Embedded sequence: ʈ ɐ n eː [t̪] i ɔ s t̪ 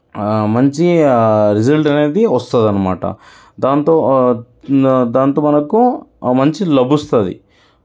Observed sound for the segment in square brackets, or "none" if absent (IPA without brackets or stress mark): d̪